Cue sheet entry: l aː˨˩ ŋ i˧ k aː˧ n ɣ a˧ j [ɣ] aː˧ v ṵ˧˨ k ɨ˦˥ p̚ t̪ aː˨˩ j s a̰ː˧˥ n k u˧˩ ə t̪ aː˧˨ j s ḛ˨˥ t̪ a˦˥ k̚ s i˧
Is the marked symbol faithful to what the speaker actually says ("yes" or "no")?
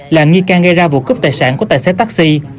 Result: no